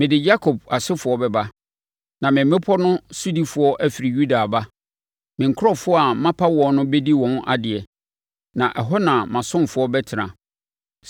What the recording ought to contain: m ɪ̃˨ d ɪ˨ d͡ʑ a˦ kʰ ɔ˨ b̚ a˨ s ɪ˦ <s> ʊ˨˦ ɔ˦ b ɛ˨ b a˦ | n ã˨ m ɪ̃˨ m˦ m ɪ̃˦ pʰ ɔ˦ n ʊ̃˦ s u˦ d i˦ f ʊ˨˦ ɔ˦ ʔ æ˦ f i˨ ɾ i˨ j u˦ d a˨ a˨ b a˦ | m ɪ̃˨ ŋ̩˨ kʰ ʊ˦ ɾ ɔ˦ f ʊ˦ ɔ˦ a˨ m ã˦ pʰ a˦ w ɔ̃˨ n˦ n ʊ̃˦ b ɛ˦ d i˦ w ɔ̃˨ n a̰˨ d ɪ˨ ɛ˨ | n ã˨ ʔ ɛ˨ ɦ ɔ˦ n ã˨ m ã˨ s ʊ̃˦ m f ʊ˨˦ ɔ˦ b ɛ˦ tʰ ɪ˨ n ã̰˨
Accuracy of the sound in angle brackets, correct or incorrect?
incorrect